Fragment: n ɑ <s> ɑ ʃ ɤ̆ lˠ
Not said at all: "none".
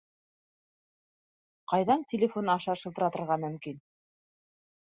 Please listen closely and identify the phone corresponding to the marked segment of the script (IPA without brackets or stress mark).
ʃ